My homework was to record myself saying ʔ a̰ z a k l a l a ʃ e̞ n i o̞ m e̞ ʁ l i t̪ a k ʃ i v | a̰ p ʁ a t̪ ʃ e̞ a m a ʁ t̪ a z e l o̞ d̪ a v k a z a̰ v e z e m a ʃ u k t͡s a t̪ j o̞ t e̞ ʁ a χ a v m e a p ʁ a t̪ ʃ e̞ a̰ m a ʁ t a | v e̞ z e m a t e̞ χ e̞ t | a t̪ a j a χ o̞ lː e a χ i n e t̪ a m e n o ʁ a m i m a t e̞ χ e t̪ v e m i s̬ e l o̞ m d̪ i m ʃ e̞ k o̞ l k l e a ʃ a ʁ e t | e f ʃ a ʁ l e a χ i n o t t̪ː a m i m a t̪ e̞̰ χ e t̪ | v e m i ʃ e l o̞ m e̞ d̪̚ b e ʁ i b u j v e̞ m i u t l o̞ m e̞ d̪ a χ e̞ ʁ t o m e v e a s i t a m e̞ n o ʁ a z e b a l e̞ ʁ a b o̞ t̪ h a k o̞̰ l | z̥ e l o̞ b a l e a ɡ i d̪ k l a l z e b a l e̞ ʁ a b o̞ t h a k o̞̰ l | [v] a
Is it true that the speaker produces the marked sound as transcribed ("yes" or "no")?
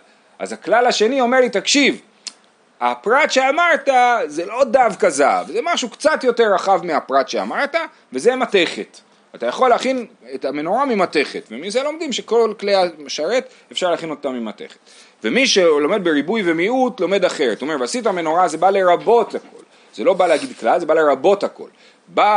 no